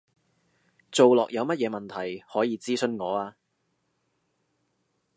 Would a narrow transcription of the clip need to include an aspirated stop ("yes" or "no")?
yes